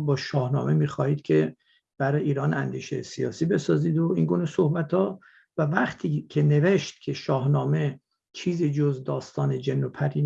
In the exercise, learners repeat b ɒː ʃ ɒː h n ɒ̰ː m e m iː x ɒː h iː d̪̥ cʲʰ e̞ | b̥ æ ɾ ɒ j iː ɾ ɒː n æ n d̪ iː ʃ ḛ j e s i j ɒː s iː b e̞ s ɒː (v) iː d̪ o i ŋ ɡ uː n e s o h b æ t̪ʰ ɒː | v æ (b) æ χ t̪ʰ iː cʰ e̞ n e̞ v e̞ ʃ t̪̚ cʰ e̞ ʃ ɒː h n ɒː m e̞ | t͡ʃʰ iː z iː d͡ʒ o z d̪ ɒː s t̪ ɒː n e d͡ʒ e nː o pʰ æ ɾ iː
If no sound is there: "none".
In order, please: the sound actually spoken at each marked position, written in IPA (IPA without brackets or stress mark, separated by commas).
z, v